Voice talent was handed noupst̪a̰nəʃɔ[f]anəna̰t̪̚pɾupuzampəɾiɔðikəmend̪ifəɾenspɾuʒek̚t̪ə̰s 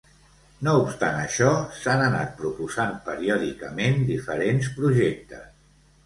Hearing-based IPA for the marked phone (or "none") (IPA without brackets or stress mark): s